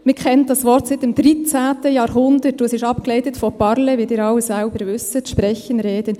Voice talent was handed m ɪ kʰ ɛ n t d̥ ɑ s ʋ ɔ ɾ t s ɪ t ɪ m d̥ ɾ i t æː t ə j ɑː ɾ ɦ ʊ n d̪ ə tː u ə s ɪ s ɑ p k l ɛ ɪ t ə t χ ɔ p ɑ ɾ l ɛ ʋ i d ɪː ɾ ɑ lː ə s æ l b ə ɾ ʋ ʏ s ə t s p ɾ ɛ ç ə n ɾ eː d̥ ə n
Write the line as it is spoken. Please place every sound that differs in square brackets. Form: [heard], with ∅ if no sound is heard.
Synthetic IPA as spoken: m ɪ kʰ ɛ n t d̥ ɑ s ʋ ɔ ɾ t s ɪ t ɪ m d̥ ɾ i [t͡s] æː t ə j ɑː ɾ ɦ ʊ n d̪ ə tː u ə s ɪ [ʃ] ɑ p k l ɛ ɪ t ə t [f] ɔ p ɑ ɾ l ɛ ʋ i d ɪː ɾ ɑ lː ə s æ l b ə ɾ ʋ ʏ s ə t [ʃ] p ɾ ɛ ç ə n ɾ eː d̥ ə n